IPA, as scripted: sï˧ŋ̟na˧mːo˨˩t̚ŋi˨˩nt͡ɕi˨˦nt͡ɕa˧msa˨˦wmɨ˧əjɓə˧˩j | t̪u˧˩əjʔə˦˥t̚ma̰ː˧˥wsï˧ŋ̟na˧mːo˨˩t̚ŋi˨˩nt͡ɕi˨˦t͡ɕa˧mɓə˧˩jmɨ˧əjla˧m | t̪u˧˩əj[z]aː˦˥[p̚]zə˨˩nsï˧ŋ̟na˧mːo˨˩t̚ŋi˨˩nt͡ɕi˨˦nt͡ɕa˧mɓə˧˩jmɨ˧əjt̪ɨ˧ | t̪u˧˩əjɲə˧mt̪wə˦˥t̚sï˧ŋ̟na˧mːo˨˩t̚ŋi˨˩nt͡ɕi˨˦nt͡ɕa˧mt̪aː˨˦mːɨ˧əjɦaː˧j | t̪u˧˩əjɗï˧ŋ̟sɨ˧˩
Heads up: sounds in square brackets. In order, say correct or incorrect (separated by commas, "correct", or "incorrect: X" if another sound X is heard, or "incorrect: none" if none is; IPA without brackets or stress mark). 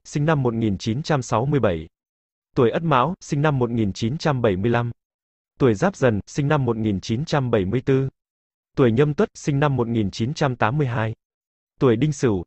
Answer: correct, correct